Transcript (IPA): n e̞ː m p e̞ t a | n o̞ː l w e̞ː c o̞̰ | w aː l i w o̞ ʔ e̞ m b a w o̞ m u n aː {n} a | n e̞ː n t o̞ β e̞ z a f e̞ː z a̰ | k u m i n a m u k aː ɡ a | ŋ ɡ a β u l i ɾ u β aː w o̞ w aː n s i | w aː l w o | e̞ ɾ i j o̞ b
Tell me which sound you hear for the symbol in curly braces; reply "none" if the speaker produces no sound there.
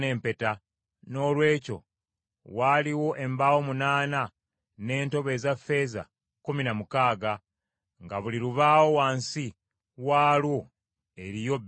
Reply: n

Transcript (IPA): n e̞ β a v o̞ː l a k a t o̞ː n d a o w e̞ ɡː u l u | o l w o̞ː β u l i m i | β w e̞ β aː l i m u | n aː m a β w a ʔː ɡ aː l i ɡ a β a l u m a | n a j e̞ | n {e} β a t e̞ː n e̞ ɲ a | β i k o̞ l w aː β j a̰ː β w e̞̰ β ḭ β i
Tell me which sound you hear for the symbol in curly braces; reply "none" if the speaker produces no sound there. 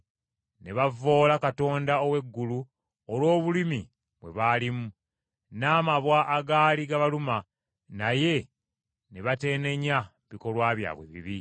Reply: e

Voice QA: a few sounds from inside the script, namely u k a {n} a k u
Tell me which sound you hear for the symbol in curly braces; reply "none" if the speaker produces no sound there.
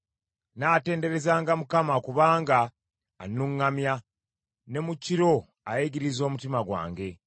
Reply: m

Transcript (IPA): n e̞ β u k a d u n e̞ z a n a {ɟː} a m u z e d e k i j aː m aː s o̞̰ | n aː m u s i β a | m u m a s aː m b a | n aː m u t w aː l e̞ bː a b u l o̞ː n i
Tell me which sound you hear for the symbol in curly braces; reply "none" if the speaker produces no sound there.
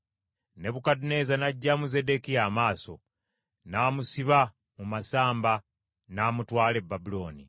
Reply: ɟː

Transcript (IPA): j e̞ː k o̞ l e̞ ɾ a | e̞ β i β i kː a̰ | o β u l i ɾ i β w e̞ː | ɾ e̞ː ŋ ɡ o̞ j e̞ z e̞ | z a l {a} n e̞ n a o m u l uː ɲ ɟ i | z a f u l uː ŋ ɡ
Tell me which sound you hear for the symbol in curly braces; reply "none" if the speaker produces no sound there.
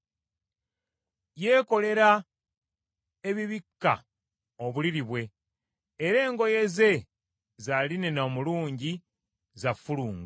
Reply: i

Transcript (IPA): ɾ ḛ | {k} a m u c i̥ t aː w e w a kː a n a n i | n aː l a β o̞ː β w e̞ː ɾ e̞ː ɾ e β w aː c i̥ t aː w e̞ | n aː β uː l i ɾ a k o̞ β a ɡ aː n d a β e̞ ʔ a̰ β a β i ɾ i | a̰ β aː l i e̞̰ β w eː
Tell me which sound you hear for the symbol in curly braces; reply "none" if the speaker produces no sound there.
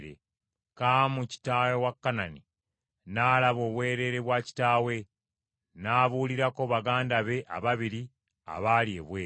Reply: k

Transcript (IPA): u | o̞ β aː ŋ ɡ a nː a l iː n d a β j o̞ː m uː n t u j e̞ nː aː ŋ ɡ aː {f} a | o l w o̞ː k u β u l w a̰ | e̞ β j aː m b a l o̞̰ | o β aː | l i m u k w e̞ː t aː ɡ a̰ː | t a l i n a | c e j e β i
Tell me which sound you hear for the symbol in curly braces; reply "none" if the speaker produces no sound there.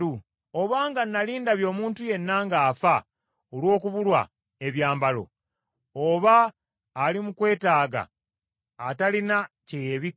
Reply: f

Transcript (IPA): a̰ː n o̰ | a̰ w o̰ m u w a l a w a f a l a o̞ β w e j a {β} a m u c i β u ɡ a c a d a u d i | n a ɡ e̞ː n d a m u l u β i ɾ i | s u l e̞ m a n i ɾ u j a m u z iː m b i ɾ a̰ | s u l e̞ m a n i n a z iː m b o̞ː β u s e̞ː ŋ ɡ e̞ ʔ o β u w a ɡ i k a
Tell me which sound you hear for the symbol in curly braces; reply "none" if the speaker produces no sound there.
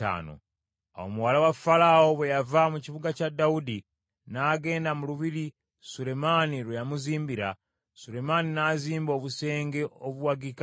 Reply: v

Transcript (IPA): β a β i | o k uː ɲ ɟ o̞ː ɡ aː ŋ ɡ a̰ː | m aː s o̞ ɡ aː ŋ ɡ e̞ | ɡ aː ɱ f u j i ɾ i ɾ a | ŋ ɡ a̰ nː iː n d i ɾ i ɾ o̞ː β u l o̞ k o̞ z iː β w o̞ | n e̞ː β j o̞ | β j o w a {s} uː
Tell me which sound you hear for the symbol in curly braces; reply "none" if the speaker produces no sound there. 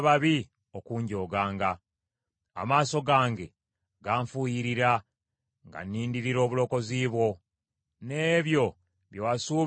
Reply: s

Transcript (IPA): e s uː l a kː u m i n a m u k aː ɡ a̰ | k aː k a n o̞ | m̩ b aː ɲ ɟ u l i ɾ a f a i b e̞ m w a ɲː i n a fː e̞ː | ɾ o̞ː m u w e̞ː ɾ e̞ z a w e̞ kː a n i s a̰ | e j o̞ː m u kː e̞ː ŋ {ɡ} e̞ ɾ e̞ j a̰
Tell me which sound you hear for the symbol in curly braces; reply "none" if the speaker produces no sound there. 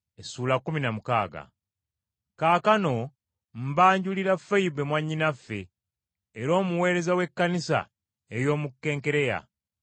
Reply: k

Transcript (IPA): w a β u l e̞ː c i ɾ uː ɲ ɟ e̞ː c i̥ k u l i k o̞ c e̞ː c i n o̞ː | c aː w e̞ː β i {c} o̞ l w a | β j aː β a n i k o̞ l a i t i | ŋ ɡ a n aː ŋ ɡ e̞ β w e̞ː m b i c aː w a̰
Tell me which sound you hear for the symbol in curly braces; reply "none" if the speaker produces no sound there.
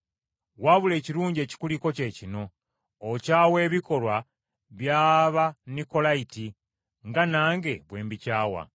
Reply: k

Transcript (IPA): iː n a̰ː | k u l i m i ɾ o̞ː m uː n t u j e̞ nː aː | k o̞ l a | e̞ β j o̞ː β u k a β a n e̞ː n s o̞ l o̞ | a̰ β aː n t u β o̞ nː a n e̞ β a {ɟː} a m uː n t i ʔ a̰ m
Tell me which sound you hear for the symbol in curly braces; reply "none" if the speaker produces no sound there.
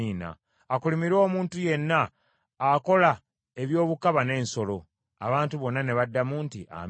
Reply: dː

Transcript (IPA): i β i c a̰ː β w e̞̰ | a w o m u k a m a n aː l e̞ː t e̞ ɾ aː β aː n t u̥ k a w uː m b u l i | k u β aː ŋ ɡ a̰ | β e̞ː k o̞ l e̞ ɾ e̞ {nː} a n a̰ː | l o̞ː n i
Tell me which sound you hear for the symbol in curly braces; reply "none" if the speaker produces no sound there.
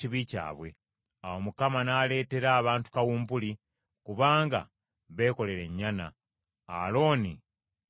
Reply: ɲː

